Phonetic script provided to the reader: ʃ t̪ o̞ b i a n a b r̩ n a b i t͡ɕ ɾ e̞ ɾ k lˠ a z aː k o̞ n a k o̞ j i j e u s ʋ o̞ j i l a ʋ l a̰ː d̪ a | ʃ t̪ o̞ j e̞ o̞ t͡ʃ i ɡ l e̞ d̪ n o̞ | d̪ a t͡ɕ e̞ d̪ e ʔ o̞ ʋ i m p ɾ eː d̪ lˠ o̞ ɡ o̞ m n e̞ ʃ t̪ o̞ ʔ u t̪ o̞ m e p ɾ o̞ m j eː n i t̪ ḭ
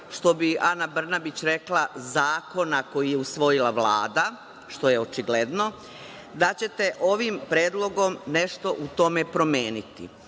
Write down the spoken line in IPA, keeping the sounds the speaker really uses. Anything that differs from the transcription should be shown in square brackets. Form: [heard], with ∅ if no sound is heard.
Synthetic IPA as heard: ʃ t̪ o̞ b i a n a b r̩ n a b i t͡ɕ ɾ e̞ [∅] k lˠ a z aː k o̞ n a k o̞ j i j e u s ʋ o̞ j i l a ʋ l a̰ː d̪ a | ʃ t̪ o̞ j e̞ o̞ t͡ʃ i ɡ l e̞ d̪ n o̞ | d̪ a t͡ɕ e̞ [t̪] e ʔ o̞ ʋ i m p ɾ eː d̪ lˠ o̞ ɡ o̞ m n e̞ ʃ t̪ o̞ ʔ u t̪ o̞ m e p ɾ o̞ m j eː n i t̪ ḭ